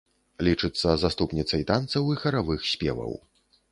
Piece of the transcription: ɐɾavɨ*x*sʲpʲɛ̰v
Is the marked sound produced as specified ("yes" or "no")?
yes